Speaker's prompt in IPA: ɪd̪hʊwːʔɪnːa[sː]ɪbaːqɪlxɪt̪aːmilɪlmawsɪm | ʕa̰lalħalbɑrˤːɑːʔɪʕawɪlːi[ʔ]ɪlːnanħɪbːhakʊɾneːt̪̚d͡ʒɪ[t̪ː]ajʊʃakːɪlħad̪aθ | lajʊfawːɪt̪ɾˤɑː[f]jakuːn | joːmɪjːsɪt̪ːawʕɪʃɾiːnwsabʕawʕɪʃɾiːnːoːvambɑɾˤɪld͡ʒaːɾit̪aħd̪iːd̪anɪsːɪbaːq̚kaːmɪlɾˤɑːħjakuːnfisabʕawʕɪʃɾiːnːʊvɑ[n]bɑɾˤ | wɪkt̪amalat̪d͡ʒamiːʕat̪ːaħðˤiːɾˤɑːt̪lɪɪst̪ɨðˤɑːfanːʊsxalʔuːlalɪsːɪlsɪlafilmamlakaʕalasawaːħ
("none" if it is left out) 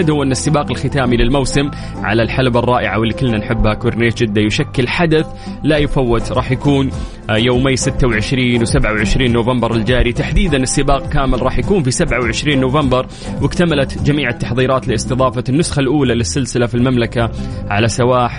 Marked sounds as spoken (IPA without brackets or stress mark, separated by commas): sː, k, d̪ː, ħ, m